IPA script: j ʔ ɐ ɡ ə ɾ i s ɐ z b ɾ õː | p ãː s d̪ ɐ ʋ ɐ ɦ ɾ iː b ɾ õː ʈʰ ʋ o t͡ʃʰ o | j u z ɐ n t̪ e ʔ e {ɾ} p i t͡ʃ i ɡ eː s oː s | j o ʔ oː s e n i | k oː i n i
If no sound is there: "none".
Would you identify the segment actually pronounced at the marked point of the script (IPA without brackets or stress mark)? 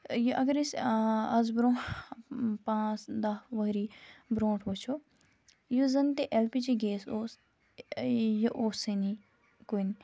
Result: l